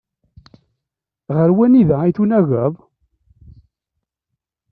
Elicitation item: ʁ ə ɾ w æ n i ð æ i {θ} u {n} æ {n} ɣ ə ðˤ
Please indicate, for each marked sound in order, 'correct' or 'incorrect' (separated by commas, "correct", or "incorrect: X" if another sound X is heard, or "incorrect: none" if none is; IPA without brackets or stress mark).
correct, correct, incorrect: none